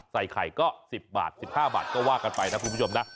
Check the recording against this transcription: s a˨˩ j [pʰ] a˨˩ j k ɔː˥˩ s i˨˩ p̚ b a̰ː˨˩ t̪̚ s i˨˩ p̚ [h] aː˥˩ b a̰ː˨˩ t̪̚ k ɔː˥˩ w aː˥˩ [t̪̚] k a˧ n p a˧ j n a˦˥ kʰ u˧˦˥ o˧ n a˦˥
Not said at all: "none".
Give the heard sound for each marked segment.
kʰ, h, none

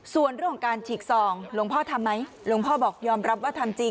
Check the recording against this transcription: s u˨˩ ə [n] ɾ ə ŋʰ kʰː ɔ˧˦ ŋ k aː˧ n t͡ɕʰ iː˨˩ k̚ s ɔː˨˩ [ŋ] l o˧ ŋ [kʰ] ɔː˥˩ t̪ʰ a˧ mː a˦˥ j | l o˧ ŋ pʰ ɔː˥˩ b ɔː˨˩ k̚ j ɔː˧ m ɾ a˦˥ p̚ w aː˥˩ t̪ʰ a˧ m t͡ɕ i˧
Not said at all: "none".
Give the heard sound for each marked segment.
n, ŋ, pʰ

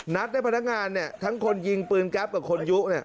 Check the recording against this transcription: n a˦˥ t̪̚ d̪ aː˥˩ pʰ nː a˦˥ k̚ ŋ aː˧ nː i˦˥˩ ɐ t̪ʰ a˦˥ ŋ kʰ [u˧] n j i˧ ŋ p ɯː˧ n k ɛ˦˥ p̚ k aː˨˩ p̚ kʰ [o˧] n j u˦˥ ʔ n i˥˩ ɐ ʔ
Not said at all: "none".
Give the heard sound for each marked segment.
o˧, o˧

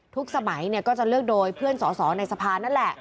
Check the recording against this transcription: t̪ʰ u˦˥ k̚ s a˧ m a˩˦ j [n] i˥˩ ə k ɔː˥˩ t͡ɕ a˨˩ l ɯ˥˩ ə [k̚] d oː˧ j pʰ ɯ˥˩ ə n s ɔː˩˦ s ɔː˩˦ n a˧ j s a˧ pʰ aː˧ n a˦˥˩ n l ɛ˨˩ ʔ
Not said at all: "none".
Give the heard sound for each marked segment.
n, k̚

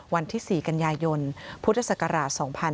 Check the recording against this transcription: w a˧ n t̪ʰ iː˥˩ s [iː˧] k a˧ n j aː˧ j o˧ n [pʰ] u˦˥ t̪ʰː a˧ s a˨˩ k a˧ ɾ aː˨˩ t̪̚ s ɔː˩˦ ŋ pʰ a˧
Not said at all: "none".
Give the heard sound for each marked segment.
iː˨˩, pʰ

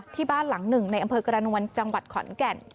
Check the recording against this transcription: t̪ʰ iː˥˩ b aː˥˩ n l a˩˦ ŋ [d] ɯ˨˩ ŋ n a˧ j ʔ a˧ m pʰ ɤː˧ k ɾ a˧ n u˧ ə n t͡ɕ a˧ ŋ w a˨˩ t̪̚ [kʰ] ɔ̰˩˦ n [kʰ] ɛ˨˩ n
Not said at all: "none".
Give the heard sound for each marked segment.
n, kʰ, k

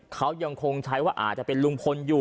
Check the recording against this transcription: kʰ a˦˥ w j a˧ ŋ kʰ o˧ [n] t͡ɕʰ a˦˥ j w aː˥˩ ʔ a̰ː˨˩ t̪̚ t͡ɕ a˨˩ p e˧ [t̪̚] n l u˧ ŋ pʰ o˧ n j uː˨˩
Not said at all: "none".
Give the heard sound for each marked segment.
ŋ, none

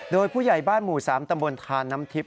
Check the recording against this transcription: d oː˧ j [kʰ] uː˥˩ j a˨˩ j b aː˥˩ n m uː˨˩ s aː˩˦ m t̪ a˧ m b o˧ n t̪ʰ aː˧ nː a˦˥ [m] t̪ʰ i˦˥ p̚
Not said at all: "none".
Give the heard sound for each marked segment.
pʰ, m

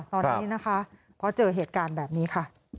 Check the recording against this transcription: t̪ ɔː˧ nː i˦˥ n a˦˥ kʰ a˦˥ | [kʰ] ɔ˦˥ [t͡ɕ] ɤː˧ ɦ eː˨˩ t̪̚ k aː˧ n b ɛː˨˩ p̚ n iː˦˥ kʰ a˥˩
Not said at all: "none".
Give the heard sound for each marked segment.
pʰ, t͡ɕ

